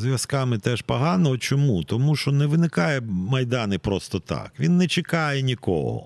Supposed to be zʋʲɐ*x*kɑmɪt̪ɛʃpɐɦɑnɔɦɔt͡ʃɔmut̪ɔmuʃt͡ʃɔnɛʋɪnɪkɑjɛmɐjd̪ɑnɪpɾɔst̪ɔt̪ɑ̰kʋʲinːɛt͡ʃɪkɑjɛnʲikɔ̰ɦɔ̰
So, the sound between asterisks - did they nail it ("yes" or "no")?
no